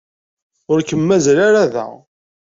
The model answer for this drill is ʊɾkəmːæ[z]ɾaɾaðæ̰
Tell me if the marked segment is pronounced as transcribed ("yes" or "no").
yes